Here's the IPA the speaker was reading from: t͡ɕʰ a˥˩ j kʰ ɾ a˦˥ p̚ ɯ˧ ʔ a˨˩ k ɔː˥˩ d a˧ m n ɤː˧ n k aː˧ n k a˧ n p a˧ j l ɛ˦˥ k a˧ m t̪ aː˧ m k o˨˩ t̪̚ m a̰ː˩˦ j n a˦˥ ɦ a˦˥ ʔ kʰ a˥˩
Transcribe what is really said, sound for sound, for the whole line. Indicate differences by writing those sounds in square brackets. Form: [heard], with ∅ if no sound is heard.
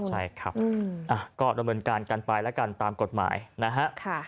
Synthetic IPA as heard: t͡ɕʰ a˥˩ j kʰ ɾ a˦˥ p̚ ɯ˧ ʔ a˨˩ k ɔː˥˩ d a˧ m n ɤː˧ n k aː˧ n k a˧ n p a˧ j l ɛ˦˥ k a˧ [n] t̪ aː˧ m k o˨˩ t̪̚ m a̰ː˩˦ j n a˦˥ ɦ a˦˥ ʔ kʰ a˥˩